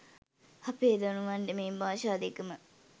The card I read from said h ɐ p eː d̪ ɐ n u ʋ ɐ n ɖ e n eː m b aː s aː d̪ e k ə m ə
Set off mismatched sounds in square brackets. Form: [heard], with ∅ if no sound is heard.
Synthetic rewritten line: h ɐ p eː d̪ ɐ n u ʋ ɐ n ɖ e [m] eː m b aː [ʃ] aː d̪ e k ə m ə